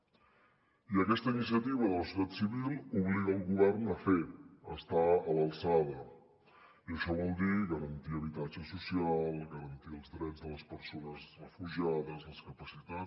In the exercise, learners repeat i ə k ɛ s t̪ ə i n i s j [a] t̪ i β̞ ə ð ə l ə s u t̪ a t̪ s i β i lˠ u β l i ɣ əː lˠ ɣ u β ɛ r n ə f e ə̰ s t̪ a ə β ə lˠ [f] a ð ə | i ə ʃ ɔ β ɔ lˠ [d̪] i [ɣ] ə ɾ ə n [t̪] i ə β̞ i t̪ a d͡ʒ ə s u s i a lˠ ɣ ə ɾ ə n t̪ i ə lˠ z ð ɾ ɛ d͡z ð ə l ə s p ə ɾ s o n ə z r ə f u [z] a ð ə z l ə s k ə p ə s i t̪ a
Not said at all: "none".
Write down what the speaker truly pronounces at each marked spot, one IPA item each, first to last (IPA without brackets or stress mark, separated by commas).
ə, s, d̪, ɣ, t̪, ʒ